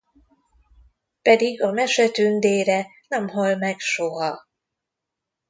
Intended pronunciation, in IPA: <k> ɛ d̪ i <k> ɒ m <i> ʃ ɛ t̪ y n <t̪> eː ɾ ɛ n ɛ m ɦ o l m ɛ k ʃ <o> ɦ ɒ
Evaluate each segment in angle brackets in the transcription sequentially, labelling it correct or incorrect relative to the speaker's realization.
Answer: incorrect: p, incorrect: ɡ, incorrect: ɛ, incorrect: d̪, correct

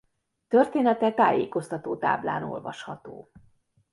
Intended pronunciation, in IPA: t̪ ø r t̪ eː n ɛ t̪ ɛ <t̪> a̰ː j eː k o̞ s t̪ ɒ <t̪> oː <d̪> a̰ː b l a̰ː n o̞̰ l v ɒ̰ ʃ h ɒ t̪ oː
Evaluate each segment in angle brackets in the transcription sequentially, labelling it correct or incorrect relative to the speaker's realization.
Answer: correct, correct, incorrect: t̪

